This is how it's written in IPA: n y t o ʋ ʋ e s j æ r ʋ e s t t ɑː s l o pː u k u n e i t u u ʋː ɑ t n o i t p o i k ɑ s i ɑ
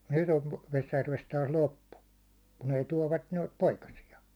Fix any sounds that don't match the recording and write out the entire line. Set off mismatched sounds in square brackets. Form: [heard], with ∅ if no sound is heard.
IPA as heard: n y t o ʋ ʋ e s j æ r ʋ e s t t ɑː s l o pː u k u n e i t u [ɒ] ʋː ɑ t n o i t p o i k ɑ s i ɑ